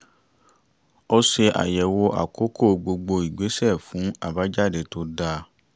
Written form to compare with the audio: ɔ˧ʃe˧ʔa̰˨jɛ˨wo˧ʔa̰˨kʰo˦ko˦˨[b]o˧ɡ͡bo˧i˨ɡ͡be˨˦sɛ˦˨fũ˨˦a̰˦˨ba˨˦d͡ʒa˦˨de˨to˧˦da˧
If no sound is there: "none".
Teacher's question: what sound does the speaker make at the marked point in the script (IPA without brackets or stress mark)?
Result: ɡ͡b